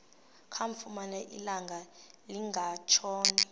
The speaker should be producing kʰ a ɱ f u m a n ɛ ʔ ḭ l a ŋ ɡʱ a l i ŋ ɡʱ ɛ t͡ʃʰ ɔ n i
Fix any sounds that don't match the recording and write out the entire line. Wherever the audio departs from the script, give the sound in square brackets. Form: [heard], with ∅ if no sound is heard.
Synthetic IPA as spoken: kʰ a ɱ f u m a n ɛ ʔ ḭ l a ŋ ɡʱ a l i ŋ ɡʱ [a] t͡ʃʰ [ɔː] n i